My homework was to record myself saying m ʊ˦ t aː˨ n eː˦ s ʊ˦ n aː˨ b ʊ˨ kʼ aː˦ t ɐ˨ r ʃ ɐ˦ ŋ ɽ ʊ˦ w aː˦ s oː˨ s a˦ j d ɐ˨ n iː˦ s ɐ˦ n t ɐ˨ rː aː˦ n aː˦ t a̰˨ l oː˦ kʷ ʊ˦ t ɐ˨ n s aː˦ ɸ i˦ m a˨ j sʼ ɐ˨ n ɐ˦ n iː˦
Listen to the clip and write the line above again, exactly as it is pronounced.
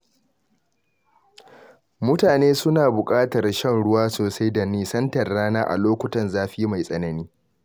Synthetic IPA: m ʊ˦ t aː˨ n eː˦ s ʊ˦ n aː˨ b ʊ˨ kʼ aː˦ t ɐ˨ r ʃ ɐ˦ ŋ ɽ ʊ˦ w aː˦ s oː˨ s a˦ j d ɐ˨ n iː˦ s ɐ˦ n t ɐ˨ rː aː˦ n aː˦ ʔ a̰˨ l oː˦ kʷ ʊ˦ t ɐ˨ n z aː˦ ɸ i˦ m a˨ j sʼ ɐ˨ n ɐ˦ n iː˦